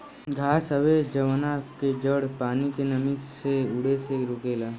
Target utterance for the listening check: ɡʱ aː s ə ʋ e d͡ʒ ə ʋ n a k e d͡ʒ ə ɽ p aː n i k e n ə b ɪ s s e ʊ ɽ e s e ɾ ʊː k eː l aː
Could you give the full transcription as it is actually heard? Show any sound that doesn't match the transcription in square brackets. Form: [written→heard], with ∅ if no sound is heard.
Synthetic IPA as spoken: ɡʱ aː s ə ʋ e d͡ʒ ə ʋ n a k e d͡ʒ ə ɽ p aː n i k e n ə [b→m] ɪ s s e ʊ ɽ e s e ɾ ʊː k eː l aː